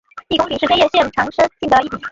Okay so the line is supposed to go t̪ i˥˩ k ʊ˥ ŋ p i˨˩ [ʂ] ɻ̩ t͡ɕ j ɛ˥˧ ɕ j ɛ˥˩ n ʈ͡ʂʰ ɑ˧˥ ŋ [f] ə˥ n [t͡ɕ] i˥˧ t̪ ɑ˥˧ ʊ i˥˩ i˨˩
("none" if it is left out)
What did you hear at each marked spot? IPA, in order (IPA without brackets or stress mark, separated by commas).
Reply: ʂ, ʂ, t͡ɕ